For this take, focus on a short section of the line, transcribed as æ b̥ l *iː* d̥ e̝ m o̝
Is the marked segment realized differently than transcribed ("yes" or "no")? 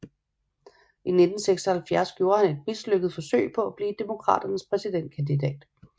no